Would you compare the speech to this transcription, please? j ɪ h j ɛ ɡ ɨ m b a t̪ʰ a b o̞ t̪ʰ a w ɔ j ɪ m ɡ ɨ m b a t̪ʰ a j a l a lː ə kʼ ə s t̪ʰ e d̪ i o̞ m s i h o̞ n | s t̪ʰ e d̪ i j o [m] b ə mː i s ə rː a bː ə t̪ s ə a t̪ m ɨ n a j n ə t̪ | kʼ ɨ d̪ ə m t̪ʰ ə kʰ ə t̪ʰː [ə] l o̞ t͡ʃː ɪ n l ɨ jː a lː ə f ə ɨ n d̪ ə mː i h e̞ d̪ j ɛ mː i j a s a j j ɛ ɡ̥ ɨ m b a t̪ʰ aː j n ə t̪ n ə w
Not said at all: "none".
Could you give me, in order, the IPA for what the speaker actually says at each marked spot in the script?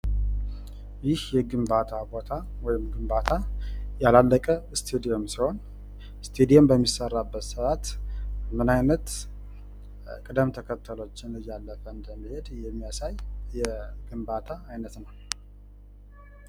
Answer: m, ə

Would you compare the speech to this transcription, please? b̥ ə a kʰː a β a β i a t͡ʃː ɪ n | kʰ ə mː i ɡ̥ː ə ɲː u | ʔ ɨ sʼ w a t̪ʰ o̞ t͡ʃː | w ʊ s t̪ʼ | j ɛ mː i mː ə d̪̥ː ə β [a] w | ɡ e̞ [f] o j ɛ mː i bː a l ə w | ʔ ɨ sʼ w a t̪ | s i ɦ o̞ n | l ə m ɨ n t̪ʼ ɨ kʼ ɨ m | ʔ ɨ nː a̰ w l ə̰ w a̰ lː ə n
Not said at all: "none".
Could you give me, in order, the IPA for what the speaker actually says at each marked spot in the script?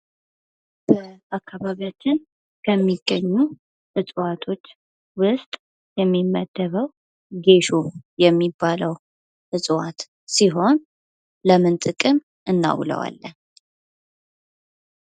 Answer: ə, ʃ

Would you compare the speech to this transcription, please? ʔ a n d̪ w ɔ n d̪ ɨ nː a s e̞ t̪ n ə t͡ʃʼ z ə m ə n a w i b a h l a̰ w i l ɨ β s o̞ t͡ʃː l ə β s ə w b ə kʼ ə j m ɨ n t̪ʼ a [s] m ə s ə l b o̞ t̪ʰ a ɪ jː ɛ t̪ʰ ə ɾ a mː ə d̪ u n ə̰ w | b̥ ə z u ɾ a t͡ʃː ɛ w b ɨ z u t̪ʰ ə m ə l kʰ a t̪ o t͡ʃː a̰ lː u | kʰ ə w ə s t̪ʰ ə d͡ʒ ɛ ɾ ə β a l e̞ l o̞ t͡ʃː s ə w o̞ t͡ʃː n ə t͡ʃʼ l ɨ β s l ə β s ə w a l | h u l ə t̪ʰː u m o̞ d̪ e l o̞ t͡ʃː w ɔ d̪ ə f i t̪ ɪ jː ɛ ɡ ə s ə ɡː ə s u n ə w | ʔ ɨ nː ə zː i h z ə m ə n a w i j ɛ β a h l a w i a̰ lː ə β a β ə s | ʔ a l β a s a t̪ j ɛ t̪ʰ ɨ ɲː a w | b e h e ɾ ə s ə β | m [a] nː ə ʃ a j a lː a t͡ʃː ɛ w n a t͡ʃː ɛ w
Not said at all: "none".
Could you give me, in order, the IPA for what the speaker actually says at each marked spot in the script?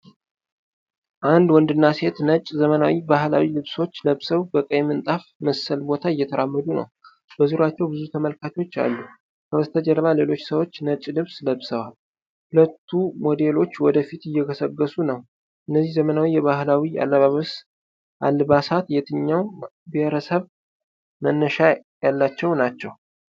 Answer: f, ə

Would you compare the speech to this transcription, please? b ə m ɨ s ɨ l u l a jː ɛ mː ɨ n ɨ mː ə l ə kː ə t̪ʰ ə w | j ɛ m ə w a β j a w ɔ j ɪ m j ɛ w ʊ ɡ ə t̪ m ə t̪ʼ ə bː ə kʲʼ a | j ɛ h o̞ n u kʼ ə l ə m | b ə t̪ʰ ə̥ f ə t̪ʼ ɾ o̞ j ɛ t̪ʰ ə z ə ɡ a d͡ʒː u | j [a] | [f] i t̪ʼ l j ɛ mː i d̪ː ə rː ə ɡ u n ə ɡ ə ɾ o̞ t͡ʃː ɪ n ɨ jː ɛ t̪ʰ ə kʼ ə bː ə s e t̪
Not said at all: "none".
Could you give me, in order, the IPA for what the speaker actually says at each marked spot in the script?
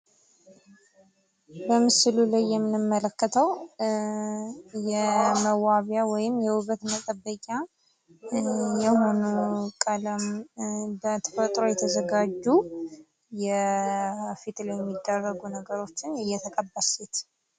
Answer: ɛ, f

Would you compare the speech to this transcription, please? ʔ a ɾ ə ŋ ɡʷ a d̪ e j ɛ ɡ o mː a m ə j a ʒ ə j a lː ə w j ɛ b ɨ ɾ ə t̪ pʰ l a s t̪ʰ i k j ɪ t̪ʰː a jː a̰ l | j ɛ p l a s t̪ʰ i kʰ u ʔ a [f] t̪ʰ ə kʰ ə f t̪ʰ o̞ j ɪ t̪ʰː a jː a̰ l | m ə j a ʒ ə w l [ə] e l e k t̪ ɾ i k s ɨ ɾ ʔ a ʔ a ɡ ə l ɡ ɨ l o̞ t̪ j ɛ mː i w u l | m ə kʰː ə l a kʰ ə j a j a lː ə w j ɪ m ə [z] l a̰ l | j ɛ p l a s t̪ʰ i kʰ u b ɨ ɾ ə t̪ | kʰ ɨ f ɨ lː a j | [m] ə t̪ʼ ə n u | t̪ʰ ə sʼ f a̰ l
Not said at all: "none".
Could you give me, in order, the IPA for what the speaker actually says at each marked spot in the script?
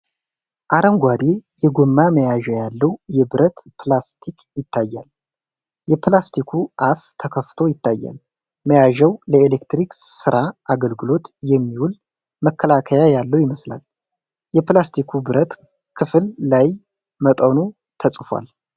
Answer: f, ə, s, m

